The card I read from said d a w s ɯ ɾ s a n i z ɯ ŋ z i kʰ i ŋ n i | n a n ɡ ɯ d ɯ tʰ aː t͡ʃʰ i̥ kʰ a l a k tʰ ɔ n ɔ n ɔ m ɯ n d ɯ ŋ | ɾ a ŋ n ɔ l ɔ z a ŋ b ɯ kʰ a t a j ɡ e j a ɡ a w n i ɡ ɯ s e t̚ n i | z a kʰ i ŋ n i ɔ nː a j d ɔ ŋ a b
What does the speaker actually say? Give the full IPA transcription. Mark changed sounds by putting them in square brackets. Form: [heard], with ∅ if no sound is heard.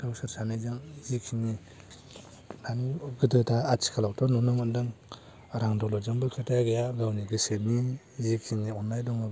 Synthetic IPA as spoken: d a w s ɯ ɾ s a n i z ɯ ŋ z i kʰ i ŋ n i | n a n ɡ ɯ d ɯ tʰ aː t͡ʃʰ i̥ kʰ a l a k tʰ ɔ n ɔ n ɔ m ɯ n d ɯ ŋ | ɾ a ŋ [d] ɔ l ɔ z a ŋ b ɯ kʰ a t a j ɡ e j a ɡ a w n i ɡ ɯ s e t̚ n i | z [i] kʰ i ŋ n i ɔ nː a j d ɔ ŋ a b